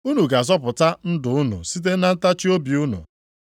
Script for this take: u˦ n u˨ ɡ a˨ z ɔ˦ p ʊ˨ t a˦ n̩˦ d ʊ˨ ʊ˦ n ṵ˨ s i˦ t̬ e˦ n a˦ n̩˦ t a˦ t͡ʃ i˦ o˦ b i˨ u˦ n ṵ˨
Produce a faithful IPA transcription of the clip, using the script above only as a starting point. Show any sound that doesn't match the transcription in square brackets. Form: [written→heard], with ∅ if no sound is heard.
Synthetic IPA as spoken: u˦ n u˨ ɡ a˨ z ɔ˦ p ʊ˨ t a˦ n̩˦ d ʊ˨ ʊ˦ n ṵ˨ s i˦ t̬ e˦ n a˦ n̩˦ t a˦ t͡ʃ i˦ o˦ b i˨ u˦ n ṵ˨